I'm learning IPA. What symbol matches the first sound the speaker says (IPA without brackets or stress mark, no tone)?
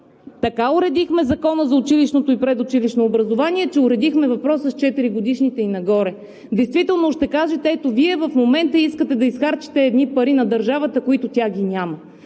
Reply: t̪